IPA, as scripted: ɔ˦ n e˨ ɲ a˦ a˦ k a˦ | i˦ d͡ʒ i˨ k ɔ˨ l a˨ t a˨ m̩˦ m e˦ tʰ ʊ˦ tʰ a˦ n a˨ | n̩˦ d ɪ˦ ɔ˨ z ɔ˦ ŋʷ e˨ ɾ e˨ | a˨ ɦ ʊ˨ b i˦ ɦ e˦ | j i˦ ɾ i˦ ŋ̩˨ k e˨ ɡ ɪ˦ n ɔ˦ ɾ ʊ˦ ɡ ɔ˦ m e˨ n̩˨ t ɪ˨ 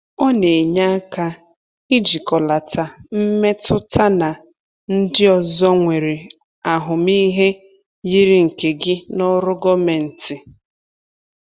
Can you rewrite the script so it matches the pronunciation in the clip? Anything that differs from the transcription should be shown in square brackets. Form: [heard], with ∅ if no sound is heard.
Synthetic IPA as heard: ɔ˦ n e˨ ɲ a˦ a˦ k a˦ | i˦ d͡ʒ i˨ k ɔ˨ l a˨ t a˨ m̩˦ m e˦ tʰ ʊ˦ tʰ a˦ n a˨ | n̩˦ d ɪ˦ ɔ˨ z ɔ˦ ŋʷ e˨ ɾ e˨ | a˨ ɦ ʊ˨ [m] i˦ ɦ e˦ | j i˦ ɾ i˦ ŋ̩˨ k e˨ ɡ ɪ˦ n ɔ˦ ɾ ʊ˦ ɡ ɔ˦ m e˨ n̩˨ t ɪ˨